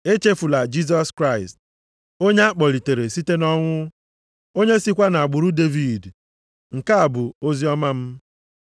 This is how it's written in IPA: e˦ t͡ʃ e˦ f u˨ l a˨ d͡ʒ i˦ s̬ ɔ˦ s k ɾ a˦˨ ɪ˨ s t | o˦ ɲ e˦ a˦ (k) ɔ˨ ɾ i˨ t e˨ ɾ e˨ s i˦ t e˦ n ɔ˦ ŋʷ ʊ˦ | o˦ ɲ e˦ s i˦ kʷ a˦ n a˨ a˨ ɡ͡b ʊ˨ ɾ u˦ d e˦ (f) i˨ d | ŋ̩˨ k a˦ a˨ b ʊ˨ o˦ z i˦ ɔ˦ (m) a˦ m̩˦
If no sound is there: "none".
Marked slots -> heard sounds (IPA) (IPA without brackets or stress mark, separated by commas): k͡p, v, m